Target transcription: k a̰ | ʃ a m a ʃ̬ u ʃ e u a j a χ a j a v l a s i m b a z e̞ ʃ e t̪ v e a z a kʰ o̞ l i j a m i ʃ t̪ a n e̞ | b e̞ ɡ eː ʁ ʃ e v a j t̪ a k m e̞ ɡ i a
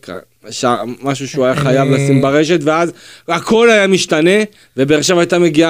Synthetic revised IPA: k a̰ | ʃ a m a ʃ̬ u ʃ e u a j a χ a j a v l a s i m b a ʁ e̞ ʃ e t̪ v e a z a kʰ o̞ l a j a m i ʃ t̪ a n e̞ | v e̞ b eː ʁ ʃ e v a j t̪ a m e̞ ɡ i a